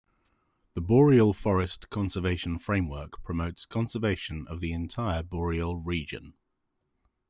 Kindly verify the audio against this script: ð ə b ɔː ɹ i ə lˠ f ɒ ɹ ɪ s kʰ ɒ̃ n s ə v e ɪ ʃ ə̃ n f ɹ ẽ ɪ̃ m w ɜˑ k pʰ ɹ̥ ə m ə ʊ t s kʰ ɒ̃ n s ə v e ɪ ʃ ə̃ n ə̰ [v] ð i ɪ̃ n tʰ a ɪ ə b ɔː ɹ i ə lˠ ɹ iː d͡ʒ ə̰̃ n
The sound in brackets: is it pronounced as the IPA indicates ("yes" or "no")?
yes